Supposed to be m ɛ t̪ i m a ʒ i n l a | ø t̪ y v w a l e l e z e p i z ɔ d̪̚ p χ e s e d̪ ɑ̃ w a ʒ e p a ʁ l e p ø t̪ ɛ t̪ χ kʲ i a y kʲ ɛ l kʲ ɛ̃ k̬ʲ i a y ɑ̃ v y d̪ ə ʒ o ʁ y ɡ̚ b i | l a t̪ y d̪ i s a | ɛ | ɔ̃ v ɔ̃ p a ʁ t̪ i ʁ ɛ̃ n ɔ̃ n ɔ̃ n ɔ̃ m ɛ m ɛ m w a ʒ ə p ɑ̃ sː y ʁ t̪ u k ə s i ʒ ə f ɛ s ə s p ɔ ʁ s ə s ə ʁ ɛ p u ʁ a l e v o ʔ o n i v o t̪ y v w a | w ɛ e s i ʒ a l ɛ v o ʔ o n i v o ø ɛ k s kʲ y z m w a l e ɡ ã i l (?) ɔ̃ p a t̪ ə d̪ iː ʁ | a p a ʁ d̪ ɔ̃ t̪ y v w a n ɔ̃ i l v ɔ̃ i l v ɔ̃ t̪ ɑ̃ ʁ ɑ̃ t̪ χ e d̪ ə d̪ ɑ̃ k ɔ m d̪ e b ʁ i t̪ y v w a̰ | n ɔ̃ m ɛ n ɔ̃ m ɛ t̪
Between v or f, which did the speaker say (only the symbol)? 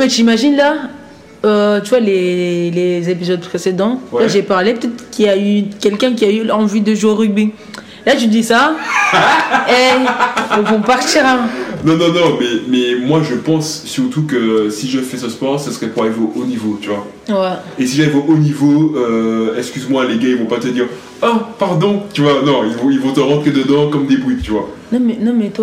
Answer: v